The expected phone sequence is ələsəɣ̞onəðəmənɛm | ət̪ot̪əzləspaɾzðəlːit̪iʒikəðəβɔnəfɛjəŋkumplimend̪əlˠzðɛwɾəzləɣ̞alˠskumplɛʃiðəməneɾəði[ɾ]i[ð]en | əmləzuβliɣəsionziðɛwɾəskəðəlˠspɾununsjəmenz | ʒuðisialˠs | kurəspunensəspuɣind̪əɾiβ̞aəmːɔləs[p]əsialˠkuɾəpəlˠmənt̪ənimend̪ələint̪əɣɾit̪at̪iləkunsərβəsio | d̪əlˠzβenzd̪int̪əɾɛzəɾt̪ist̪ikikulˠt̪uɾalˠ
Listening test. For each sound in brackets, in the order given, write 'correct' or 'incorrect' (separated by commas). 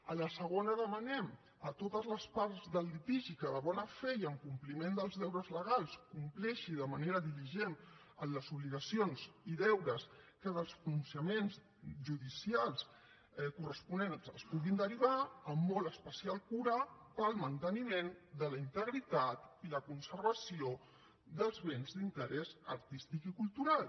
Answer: incorrect, incorrect, correct